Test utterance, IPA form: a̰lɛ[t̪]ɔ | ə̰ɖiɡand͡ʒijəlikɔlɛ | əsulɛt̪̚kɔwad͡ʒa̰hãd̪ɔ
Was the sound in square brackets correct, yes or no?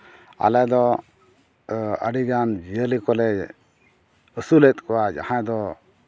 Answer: no